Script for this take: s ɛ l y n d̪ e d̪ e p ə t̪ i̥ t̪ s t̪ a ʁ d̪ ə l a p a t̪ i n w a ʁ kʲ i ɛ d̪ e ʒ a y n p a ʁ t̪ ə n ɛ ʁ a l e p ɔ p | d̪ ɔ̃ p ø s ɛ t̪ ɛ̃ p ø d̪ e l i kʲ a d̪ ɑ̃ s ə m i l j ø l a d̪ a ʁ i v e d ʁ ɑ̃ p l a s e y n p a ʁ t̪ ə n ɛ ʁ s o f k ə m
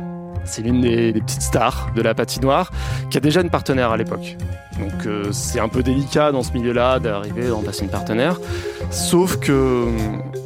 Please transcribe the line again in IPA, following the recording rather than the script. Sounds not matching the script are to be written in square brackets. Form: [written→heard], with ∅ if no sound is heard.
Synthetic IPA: s ɛ l y n d̪ e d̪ e p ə t̪ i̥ t̪ s t̪ a ʁ d̪ ə l a p a t̪ i n w a ʁ kʲ i [ɛ→a] d̪ e ʒ a y n p a ʁ t̪ ə n ɛ ʁ a l e p ɔ [p→k] | d̪ ɔ̃ [p→k] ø s ɛ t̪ ɛ̃ p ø d̪ e l i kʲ a d̪ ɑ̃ s ə m i l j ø l a d̪ a ʁ i v e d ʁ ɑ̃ p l a s e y n p a ʁ t̪ ə n ɛ ʁ s o f k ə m